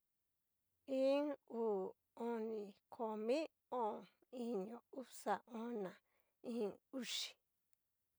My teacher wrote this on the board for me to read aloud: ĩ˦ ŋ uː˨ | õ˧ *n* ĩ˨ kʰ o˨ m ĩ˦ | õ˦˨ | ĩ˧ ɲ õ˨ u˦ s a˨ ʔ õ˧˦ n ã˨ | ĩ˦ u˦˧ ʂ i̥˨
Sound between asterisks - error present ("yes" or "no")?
no